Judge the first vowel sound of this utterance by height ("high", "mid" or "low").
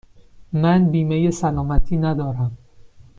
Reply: low